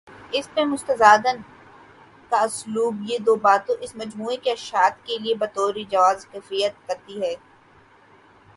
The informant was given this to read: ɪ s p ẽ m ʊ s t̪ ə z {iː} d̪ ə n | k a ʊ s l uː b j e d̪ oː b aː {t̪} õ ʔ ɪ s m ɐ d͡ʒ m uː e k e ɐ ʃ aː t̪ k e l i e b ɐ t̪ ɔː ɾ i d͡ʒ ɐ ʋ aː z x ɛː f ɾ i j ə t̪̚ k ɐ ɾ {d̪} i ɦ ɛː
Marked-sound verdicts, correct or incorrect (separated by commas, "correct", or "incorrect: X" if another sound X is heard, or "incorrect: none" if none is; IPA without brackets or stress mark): incorrect: aː, correct, incorrect: t̪